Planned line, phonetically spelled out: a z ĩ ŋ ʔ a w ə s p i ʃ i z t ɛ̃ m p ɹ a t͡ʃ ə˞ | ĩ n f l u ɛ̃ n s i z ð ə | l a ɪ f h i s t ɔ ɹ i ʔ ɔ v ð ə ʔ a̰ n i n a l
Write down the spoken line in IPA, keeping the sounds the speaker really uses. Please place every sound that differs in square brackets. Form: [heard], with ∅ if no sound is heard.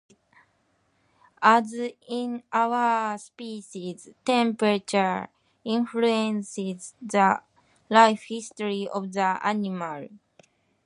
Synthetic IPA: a z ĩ [n] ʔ a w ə s p i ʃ i z t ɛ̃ m p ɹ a t͡ʃ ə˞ | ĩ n f l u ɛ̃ n s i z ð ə | l a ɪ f h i s t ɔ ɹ i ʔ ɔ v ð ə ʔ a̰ n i [m] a l